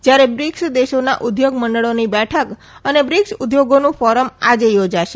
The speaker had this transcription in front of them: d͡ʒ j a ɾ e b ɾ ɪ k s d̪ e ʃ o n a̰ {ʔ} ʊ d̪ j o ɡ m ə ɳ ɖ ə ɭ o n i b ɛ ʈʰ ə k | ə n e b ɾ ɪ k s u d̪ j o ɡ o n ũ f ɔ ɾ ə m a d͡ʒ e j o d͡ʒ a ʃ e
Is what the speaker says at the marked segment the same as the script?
yes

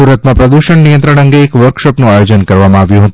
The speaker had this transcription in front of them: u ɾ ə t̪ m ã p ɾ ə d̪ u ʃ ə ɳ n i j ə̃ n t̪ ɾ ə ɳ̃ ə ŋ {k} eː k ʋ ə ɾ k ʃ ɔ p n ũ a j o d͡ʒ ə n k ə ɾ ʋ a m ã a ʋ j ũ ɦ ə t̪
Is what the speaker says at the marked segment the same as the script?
no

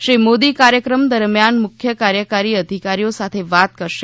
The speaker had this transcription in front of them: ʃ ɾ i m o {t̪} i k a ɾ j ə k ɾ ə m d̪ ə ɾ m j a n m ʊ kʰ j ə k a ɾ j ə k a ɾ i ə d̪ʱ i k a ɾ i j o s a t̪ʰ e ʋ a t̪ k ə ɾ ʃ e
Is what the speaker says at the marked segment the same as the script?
no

